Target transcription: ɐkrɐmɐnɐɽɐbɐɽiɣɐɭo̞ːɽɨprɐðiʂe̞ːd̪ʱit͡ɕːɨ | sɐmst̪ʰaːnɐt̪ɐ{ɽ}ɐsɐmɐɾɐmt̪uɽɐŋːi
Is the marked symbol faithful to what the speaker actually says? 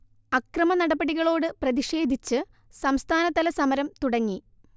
no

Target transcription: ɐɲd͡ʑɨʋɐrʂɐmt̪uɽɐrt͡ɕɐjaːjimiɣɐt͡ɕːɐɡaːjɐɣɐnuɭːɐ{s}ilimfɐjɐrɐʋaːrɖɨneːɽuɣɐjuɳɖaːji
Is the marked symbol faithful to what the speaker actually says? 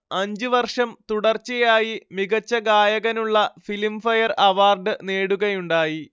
no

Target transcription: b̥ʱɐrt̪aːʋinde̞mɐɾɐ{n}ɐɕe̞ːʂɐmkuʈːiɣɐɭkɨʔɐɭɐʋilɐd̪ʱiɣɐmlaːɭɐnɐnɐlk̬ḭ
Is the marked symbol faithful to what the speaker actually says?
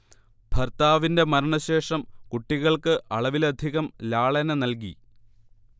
no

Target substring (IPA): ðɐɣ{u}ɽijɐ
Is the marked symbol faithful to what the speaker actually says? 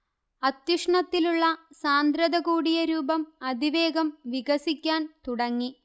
no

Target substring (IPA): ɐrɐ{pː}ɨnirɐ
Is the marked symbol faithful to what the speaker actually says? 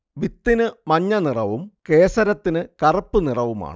yes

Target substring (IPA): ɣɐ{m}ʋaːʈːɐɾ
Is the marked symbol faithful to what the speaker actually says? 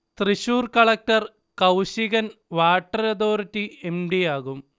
no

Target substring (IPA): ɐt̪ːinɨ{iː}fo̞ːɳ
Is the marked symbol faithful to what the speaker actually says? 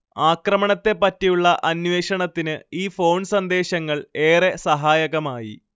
yes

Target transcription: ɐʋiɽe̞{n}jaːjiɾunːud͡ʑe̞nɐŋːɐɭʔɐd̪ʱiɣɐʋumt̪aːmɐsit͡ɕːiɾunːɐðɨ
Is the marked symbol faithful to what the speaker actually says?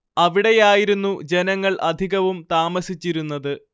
no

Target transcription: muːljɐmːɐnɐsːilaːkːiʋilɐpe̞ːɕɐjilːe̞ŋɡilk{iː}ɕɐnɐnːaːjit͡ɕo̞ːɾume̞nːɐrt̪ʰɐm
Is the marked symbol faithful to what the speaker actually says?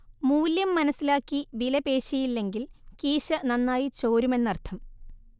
yes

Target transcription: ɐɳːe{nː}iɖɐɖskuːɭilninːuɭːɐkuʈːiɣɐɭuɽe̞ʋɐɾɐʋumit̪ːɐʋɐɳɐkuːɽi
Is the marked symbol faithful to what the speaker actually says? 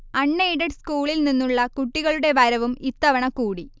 no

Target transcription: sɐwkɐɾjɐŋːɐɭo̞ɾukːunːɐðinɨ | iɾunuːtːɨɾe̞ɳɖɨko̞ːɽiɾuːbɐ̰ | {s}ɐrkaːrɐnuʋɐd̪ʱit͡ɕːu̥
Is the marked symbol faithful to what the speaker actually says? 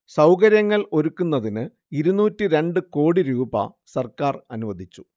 yes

